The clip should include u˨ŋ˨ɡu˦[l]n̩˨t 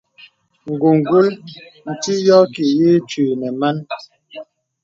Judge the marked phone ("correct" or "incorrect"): correct